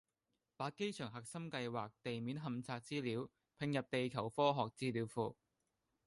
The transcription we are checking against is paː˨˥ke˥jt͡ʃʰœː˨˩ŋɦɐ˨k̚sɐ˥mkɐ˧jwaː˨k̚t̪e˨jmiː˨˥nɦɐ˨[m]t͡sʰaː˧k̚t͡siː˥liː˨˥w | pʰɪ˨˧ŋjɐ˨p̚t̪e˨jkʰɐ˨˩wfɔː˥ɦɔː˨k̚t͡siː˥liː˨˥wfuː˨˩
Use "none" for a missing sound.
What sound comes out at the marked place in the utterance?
m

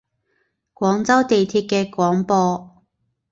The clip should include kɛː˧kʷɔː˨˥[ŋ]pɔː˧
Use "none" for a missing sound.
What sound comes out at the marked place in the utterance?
ŋ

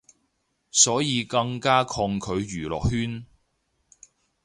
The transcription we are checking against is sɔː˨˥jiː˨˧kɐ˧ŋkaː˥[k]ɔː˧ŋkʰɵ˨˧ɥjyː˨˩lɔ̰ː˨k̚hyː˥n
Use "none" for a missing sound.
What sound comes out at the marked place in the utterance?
kʰ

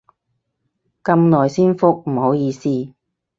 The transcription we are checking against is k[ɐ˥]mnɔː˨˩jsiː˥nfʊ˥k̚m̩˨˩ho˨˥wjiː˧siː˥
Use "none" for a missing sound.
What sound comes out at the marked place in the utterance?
ɐ˧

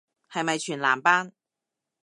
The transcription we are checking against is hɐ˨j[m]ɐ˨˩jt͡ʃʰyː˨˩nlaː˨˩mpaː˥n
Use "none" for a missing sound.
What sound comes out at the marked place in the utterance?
m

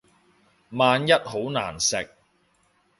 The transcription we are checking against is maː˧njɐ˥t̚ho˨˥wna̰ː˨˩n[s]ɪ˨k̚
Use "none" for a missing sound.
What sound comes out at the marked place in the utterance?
s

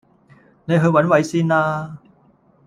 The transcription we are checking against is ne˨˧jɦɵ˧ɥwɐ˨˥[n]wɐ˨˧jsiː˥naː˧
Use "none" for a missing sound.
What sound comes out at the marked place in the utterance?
n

